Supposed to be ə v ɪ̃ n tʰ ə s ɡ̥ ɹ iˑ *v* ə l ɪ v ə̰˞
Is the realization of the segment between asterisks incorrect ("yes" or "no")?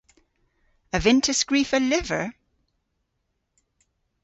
yes